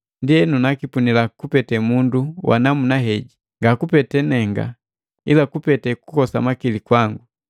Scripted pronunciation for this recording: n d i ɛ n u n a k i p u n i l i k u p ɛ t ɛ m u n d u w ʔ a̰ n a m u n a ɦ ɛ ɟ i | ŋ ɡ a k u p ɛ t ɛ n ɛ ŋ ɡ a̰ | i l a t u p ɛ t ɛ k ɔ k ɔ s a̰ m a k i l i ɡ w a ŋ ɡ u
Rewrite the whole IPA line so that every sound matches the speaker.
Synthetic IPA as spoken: n d i ɛ n u n a k i p u n i l a k u p ɛ t ɛ m u n d u w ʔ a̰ n a m u n a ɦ ɛ ɟ i | ŋ ɡ a k u p ɛ t ɛ n ɛ ŋ ɡ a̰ | i l a k u p ɛ t ɛ k u k ɔ s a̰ m a k i l i k w a ŋ ɡ u

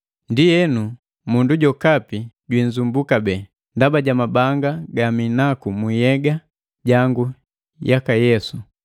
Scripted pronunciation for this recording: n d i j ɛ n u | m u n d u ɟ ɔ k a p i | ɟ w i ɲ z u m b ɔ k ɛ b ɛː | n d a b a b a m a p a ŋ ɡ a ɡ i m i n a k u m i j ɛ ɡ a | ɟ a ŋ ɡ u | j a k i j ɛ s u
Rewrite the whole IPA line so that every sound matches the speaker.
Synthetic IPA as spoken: n d i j ɛ n u | m u n d u ɟ ɔ k a p i | ɟ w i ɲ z u m b u k a b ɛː | n d a b a ɟ a m a b a ŋ ɡ a ɡ a m i n a k u m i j ɛ ɡ a | ɟ a ŋ ɡ u | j a k a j ɛ s u

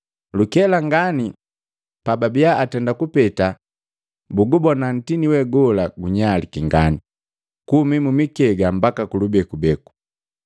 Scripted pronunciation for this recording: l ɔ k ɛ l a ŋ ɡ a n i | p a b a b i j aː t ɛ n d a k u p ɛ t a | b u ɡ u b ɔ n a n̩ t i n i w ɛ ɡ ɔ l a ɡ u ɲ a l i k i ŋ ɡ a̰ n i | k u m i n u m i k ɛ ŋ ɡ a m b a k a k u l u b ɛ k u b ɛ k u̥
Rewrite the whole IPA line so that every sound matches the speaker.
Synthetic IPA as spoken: l u k ɛ l a ŋ ɡ a n i | p a b a b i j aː t ɛ n d a k u p ɛ t a | b u ɡ u b ɔ n a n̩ t i n i w ɛ ɡ ɔ l a ɡ u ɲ a l i k i ŋ ɡ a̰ n i | k u m i m u m i k ɛ ɡ a m b a k a k u l u b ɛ k u b ɛ k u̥

